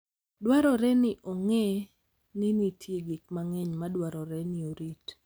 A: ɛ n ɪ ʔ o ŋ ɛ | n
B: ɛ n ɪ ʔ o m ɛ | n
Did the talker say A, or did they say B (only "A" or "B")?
A